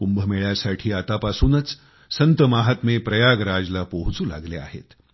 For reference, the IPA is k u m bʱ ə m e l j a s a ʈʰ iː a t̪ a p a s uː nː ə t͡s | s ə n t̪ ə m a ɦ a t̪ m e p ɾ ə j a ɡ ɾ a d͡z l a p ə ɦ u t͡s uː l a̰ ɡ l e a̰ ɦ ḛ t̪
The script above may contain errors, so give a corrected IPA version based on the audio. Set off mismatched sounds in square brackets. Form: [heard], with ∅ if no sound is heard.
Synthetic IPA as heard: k u m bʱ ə m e [ɭ] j a s a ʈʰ iː a t̪ a p a s uː [n] ə t͡s | s ə n t̪ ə m a ɦ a t̪ m e p ɾ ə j a ɡ ɾ a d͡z l a p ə ɦ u t͡s uː l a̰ ɡ l e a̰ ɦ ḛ t̪